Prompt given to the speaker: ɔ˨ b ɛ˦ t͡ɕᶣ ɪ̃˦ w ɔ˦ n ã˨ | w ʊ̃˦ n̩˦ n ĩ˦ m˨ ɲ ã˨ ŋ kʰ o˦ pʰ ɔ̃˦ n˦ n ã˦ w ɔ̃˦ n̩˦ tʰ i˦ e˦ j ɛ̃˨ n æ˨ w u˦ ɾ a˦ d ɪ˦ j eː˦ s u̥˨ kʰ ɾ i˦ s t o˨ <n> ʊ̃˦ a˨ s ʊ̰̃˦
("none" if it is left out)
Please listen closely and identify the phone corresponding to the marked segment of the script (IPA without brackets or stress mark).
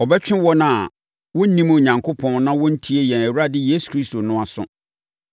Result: n